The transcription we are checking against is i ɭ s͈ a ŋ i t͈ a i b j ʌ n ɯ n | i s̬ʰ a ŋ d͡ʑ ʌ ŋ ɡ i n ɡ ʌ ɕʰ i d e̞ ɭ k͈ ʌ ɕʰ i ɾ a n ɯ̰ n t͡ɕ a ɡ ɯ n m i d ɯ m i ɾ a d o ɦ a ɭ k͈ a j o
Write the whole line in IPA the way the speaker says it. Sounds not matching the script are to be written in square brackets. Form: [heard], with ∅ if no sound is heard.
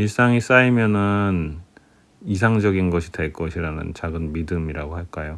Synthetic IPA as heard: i ɭ s͈ a ŋ i [s͈] a i [m] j ʌ n ɯ n | i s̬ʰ a ŋ d͡ʑ ʌ [∅] ɡ i n ɡ ʌ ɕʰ i d e̞ ɭ k͈ ʌ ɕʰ i ɾ a n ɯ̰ n t͡ɕ a ɡ ɯ n m i d ɯ m i ɾ a [ɡ] o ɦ a ɭ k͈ a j o